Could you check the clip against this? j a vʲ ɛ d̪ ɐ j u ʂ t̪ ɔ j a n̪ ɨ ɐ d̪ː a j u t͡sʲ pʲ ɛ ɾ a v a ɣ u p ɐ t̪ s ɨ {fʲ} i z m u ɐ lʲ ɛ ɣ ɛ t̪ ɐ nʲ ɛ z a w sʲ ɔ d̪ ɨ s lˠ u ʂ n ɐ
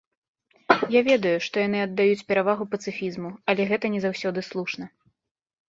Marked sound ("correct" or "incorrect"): correct